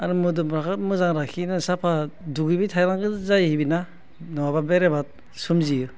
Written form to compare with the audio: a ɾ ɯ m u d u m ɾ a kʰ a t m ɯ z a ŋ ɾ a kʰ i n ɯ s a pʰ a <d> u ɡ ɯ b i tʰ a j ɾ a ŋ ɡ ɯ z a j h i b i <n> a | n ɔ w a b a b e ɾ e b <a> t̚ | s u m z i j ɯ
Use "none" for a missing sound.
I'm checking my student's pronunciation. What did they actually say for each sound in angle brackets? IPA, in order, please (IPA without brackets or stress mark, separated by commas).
d, n, a